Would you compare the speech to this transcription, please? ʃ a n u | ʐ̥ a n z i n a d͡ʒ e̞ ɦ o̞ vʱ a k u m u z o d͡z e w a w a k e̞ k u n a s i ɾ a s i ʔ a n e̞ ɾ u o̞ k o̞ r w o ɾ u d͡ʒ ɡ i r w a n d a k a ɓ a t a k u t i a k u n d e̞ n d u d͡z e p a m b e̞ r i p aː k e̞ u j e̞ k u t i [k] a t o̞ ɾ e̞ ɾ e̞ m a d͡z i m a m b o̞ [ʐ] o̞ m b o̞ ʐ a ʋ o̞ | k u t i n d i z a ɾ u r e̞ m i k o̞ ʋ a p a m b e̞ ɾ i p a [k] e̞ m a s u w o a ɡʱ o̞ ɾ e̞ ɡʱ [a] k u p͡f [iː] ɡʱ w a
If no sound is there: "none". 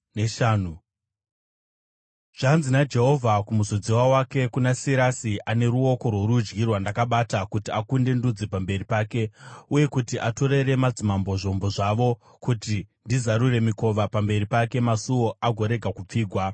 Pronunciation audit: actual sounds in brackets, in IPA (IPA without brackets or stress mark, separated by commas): ʔ, ʐ, k, a, iː